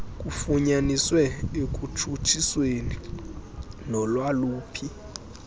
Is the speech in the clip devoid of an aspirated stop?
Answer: no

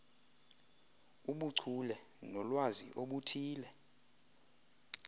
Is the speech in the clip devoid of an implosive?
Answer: no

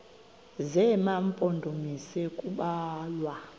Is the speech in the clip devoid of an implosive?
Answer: no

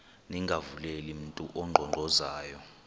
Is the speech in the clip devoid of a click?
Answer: no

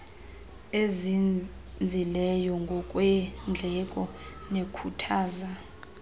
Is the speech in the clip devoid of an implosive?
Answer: yes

